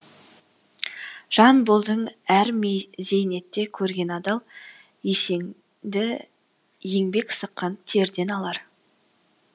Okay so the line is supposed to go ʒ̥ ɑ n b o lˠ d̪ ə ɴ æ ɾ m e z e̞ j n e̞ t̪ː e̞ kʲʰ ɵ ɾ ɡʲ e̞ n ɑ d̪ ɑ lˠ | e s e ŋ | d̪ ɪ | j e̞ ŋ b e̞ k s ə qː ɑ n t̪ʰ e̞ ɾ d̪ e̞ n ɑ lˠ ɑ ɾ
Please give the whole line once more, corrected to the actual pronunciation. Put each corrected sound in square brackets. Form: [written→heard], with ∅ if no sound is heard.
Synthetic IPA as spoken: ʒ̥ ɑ n b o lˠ d̪ ə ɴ æ ɾ m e z e̞ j n e̞ t̪ː e̞ kʲʰ ɵ ɾ ɡʲ e̞ n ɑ d̪ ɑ lˠ | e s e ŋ | d̪ ɪ | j e̞ ŋ b e̞ k s ə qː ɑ n t̪ʰ e̞ ɾ d̪ e̞ n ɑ lˠ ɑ ɾ